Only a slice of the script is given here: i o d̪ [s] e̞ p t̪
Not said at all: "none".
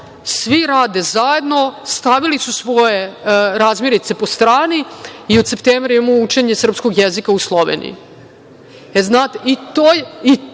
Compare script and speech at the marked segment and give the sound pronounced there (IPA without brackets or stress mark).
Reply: s